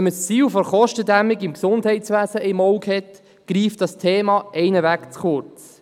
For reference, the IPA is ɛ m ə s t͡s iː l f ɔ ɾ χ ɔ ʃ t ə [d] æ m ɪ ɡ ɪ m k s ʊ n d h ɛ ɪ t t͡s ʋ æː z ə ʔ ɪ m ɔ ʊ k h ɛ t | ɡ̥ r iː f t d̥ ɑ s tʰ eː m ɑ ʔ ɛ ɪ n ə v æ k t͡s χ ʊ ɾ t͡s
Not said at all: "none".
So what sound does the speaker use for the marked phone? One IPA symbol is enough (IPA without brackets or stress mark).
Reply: d